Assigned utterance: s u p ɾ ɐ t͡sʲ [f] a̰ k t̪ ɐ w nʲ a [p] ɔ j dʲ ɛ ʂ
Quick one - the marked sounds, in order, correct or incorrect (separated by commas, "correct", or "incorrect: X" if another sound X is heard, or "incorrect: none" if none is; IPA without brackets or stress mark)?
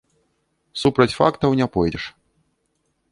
correct, correct